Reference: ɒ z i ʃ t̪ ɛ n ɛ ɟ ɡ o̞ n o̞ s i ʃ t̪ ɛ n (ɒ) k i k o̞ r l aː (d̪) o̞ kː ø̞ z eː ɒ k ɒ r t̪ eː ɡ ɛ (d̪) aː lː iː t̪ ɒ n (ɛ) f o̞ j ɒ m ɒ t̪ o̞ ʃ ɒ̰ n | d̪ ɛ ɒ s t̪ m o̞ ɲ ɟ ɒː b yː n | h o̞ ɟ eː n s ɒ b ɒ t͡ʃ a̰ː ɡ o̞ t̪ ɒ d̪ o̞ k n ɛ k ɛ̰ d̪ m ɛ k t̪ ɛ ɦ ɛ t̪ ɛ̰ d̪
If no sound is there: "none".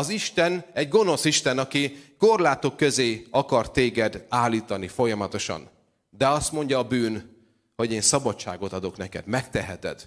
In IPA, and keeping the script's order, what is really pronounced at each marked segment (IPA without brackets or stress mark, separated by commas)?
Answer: ɒ, t̪, d̪, i